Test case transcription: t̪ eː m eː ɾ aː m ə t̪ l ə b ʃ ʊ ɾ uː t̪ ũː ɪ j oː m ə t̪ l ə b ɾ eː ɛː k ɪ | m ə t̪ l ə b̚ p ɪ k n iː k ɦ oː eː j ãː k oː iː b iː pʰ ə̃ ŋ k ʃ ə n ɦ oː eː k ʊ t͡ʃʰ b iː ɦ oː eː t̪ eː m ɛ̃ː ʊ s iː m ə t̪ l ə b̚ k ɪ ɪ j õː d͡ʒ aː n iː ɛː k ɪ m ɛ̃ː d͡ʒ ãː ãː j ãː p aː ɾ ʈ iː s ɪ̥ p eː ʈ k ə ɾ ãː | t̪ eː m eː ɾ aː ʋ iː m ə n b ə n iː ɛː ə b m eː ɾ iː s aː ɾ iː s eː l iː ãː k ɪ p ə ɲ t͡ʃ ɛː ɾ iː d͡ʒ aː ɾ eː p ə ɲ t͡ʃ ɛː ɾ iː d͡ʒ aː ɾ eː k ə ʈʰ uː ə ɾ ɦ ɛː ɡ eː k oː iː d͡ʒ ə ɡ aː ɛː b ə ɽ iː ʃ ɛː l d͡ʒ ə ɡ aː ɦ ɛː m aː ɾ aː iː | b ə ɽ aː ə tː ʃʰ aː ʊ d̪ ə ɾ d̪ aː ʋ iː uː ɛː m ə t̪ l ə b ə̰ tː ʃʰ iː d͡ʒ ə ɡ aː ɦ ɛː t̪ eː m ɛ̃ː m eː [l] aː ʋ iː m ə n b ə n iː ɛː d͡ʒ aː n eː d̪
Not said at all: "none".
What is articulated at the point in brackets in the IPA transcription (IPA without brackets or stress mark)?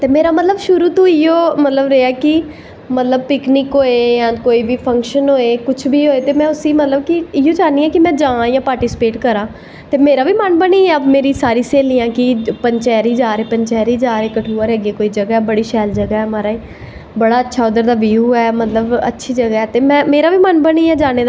ɾ